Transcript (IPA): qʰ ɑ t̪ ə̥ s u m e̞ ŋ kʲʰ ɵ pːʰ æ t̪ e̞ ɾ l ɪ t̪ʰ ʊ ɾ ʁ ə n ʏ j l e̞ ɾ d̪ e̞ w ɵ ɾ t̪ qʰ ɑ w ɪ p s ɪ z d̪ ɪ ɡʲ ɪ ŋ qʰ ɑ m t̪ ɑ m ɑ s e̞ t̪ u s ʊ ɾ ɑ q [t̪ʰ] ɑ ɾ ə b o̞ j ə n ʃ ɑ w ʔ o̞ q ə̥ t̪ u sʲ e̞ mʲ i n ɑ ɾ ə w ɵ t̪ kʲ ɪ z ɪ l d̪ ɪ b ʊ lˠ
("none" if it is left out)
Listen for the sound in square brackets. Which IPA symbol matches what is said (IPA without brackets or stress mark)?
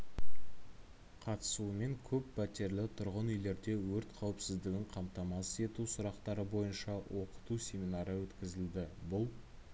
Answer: t̪